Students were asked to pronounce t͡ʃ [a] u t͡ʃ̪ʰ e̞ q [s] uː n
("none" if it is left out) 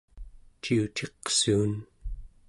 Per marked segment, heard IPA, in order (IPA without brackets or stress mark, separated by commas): i, s